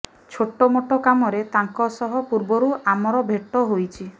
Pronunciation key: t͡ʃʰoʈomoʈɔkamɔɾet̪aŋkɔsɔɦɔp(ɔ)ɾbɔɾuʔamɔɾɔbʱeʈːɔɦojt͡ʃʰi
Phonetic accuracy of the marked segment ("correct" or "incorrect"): incorrect